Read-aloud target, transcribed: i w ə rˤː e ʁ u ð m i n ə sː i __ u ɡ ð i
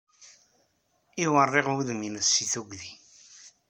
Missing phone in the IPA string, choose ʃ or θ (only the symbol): θ